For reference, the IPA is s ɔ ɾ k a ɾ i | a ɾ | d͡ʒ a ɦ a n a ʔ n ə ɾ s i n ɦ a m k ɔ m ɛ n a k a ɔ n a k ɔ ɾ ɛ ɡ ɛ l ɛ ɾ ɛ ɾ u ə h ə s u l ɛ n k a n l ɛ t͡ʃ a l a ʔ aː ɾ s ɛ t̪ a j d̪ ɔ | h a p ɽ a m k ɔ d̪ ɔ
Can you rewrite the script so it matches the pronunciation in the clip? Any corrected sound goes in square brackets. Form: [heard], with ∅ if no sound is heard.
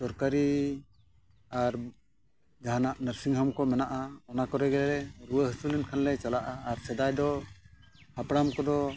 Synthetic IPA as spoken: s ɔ ɾ k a ɾ i | a ɾ | d͡ʒ a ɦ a n a ʔ n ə ɾ s i [ŋ] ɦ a m k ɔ m ɛ n a [ʔ] a ɔ n a k ɔ ɾ ɛ ɡ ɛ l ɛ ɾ ɛ ɾ u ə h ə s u l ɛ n [kʰ] a n l ɛ t͡ʃ a l a ʔ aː ɾ s ɛ [d̪] a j d̪ ɔ | h a p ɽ a m k ɔ d̪ ɔ